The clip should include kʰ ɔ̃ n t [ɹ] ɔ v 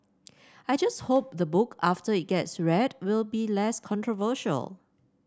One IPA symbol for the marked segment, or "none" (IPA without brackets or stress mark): ɹ